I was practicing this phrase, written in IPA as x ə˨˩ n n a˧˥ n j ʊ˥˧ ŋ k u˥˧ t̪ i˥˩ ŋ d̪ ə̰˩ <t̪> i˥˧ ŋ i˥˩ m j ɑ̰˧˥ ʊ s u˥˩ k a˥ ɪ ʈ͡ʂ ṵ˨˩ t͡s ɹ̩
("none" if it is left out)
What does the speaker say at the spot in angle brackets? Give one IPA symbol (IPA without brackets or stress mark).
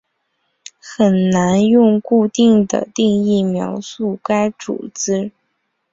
t̪